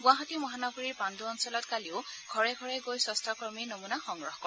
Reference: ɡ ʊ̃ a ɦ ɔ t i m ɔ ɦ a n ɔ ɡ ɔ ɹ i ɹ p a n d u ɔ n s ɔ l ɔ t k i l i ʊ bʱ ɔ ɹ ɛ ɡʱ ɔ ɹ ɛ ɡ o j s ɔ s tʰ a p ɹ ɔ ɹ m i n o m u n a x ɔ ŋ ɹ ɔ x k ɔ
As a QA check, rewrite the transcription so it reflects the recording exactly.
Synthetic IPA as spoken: ɡ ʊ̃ a ɦ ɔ t i m ɔ ɦ a n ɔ ɡ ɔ ɹ i ɹ p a n d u ɔ n s ɔ l ɔ t k a l i ʊ ɡʱ ɔ ɹ ɛ ɡʱ ɔ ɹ ɛ ɡ o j s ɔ s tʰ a k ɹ ɔ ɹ m i n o m u n a x ɔ ŋ ɹ ɔ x k ɔ